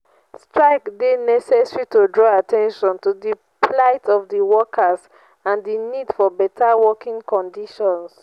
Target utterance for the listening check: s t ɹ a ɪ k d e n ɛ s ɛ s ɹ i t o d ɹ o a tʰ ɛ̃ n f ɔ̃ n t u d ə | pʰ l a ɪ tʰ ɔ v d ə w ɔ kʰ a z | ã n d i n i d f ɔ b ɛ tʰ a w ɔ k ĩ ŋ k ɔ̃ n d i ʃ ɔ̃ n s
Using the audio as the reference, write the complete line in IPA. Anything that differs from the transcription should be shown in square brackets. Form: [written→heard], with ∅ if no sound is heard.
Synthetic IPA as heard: s t ɹ a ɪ k d e n ɛ s ɛ s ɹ i t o d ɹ [o→ɔ] a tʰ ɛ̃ n [f→ʃ] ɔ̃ n t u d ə | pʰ l a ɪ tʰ ɔ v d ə w ɔ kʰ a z | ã n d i n i d f ɔ b ɛ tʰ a w ɔ k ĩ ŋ k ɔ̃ n d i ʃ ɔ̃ n s